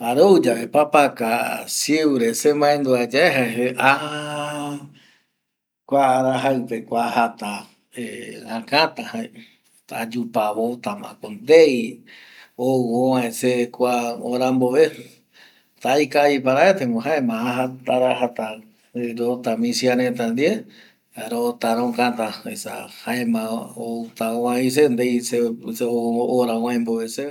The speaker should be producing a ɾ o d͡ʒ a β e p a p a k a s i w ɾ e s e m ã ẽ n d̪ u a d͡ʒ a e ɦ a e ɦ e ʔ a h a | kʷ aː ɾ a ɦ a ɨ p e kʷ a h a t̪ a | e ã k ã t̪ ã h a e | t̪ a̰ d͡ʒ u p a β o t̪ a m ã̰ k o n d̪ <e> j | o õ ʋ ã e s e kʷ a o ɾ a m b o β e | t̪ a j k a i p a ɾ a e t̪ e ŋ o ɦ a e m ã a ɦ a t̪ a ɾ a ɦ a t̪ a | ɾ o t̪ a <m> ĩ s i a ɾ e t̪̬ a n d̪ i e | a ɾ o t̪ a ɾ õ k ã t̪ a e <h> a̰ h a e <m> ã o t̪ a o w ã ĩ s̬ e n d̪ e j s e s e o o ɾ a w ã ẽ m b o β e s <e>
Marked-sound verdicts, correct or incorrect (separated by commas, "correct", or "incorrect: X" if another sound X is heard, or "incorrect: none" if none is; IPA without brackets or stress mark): correct, correct, incorrect: s, correct, correct